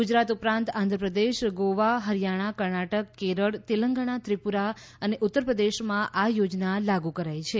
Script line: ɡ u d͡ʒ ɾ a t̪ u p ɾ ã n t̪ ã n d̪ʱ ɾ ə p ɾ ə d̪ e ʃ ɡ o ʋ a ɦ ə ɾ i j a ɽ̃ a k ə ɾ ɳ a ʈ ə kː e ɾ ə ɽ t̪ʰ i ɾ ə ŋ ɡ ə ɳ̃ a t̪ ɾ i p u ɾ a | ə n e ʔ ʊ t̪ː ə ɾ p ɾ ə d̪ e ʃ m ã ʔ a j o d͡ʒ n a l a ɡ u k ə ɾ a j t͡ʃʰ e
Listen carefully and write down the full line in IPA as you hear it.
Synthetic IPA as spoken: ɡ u d͡ʒ ɾ a t̪ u p ɾ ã n t̪ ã n d̪ʱ ɾ ə p ɾ ə d̪ e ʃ ɡ o ʋ a ɦ ə ɾ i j a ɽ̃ a k ə ɾ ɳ a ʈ ə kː e ɾ ə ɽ t̪ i l ə ŋ ɡ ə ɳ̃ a t̪ ɾ i p u ɾ a | ə n e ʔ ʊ t̪ː ə ɾ p ɾ ə d̪ e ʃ m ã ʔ a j o d͡ʒ n a l a ɡ u k ə ɾ a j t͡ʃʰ e